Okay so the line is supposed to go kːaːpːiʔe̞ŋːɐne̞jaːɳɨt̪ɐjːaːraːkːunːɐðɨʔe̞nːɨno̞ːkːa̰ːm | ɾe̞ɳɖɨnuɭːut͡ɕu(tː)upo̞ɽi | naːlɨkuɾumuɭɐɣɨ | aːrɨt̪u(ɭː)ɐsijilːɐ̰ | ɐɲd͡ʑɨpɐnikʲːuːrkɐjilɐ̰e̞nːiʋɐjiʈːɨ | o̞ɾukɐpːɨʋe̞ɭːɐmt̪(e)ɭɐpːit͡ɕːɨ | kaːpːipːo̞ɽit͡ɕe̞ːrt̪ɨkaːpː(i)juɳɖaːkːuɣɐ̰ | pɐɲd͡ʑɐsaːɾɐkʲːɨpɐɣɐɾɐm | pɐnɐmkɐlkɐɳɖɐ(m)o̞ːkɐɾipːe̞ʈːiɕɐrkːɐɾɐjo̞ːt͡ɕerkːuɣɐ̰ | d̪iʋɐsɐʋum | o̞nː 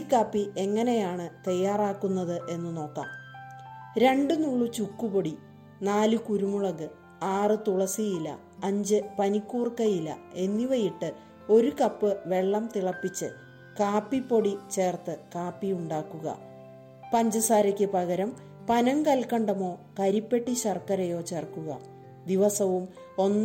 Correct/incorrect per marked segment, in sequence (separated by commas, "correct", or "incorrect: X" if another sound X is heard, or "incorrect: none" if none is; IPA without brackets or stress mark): incorrect: kː, incorrect: ɭ, incorrect: i, correct, correct